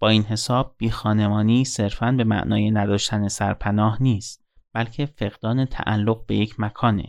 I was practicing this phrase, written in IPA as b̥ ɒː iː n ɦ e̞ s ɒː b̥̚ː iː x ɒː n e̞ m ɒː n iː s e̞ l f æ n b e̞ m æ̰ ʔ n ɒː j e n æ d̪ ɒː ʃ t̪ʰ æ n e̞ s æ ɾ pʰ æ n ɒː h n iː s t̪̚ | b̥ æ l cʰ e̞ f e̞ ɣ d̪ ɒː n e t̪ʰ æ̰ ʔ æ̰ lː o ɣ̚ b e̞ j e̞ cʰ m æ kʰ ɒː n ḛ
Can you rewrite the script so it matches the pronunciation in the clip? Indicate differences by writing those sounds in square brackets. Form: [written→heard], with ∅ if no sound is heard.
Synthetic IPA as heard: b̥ ɒː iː n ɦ e̞ s ɒː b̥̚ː iː x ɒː n e̞ m ɒː n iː s e̞ [l→ɾ] f æ n b e̞ m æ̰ ʔ n ɒː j e n æ d̪ ɒː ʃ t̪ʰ æ n e̞ s æ ɾ pʰ æ n ɒː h n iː s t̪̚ | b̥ æ l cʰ e̞ f e̞ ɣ d̪ ɒː n e t̪ʰ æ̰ ʔ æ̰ lː o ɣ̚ b e̞ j e̞ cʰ m æ kʰ ɒː n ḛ